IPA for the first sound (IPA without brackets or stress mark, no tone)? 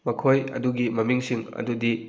m